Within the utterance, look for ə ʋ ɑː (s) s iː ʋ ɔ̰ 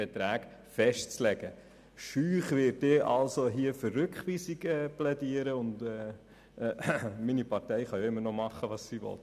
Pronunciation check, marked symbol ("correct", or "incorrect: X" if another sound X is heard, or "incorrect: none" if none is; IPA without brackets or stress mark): correct